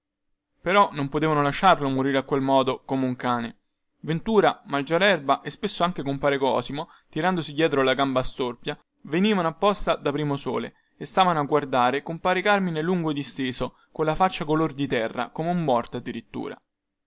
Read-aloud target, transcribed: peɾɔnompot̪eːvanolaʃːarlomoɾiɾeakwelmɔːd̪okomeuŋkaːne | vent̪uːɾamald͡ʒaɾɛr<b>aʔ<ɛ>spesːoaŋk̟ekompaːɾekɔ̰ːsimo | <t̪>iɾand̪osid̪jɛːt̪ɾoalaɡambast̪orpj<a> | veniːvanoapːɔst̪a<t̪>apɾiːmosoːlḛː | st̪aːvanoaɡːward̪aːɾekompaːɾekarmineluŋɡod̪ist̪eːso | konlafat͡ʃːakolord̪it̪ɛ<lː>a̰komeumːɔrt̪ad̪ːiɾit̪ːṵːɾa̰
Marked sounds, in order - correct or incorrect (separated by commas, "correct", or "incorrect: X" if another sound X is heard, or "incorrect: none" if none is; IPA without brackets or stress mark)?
correct, incorrect: e, correct, correct, incorrect: d̪, incorrect: rː